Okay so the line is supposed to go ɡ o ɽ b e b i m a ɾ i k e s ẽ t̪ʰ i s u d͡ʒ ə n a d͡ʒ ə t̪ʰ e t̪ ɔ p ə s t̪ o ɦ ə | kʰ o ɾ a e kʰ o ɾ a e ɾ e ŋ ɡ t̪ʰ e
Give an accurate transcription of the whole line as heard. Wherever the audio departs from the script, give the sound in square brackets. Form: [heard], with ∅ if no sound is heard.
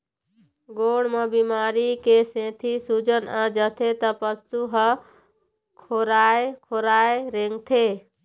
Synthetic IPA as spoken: ɡ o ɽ [m] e b i m a ɾ i k e s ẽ t̪ʰ i s u d͡ʒ ə n a d͡ʒ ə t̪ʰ e t̪ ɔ p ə s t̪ [u] ɦ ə | kʰ o ɾ a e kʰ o ɾ a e ɾ e ŋ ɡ t̪ʰ e

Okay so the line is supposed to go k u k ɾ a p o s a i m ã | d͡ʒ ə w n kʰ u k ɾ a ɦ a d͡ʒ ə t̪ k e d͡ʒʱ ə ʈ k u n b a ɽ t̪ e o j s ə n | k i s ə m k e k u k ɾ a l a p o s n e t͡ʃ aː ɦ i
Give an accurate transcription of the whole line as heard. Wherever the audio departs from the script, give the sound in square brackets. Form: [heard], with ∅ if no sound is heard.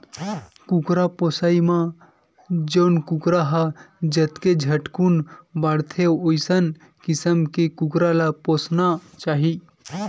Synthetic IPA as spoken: k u k ɾ a p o s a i m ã | d͡ʒ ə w n [k] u k ɾ a ɦ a d͡ʒ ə t̪ k e d͡ʒʱ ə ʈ k u n b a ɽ [t̪ʰ] e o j s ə n | k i s ə m k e k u k ɾ a l a p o s n [a] t͡ʃ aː ɦ i

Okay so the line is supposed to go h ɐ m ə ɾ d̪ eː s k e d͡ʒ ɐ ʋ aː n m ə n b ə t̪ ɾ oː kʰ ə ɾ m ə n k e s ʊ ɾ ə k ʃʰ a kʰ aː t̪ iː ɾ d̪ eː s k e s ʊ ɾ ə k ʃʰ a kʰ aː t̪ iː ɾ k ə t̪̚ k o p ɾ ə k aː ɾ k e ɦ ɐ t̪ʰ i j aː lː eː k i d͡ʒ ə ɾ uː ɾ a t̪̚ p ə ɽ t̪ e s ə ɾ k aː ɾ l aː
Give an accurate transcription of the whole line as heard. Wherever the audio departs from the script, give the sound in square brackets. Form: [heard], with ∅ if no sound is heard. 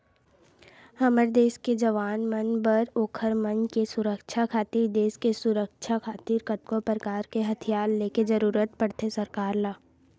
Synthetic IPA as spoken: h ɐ m ə ɾ d̪ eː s k e d͡ʒ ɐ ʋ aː n m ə n b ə [∅] ɾ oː kʰ ə ɾ m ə n k e s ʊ ɾ ə k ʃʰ a kʰ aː t̪ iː ɾ d̪ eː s k e s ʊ ɾ ə k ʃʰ a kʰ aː t̪ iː ɾ k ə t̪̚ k o p ɾ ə k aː ɾ k e ɦ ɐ t̪ʰ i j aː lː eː k [e] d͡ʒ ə ɾ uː ɾ [ə] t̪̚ p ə ɽ t̪ e s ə ɾ k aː ɾ l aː

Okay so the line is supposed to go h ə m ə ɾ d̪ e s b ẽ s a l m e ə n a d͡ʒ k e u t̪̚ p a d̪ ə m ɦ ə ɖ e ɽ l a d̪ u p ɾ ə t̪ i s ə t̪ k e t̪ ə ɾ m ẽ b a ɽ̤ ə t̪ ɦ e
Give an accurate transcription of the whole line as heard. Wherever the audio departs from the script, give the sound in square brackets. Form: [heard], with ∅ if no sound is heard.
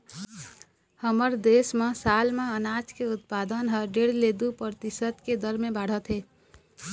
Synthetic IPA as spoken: h ə m ə ɾ d̪ e s [m] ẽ s a l m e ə n a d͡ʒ k e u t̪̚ p a d̪ ə [n] ɦ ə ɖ e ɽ l [e] d̪ u p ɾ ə t̪ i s ə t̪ k e [d̪] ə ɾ m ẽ b a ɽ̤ ə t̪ ɦ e

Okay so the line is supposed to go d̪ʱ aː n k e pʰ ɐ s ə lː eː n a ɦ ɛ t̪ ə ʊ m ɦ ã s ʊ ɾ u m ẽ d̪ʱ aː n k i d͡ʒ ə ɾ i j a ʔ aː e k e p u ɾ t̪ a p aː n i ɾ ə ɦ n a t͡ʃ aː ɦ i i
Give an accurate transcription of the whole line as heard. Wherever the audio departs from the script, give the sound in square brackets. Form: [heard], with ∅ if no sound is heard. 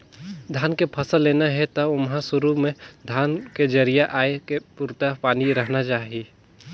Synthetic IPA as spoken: d̪ʱ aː n k e pʰ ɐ s ə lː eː n a ɦ ɛ t̪ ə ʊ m ɦ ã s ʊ ɾ u m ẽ d̪ʱ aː n k [e] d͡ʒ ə ɾ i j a ʔ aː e k e p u ɾ t̪ a p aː n i ɾ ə ɦ n a t͡ʃ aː ɦ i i

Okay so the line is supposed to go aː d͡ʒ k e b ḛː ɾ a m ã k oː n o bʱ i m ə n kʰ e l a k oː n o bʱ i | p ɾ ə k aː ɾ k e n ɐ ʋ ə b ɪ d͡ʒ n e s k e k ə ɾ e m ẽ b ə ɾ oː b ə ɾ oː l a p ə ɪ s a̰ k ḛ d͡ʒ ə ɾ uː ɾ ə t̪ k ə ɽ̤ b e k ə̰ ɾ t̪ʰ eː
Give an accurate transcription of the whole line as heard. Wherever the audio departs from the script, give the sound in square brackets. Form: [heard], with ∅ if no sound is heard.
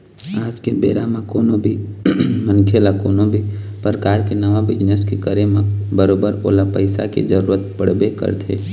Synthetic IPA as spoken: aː d͡ʒ k e b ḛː ɾ a m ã k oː n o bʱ i m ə n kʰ e l a k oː n o bʱ i | p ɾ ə k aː ɾ k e n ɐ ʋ [a] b ɪ d͡ʒ n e s k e k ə ɾ e m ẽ b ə ɾ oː b ə ɾ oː l a p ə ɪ s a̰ k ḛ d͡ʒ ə ɾ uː ɾ ə t̪ [p] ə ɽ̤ b e k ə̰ ɾ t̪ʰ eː

